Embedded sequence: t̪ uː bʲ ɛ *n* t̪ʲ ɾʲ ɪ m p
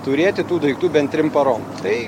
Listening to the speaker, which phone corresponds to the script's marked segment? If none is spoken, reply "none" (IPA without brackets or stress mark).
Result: n